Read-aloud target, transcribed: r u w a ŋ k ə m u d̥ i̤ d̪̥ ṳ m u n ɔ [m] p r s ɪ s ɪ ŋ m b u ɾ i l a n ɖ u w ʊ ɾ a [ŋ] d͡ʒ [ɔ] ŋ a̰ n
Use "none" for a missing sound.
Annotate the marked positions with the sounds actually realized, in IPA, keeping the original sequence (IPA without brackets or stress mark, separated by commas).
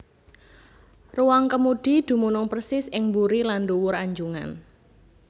ŋ, ɲ, u